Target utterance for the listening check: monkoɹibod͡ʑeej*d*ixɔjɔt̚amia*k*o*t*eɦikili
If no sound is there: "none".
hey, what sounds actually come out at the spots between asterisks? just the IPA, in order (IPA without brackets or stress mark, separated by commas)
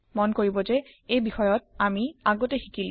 b, ɡ, t